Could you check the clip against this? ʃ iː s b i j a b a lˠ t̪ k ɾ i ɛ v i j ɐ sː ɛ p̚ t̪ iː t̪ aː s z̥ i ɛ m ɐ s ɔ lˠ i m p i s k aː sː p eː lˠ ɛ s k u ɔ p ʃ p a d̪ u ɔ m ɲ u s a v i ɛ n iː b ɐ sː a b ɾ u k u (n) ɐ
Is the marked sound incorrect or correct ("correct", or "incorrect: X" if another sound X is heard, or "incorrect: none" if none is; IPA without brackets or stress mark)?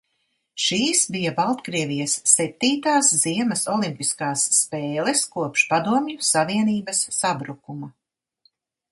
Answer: incorrect: m